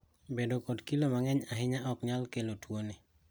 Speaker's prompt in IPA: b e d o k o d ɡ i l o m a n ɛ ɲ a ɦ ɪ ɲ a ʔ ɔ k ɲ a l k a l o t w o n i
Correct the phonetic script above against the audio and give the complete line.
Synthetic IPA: b e d o k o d k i l o m a ŋ ɛ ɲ a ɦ ɪ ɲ a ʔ ɔ k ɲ a l k e l o t w o n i